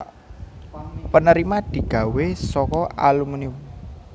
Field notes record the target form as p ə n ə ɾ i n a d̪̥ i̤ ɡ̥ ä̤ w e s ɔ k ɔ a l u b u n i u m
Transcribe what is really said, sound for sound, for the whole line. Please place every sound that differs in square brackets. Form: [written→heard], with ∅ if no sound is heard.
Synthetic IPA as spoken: p ə n ə ɾ i [n→m] a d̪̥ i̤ ɡ̥ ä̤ w e s ɔ k ɔ a l u [b→m] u n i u m